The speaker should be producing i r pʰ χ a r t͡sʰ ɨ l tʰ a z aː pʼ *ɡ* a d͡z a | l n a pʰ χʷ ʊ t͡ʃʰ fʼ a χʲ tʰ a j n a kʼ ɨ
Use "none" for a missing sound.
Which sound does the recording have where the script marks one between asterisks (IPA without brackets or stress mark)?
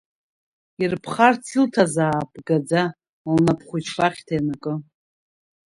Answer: ɡ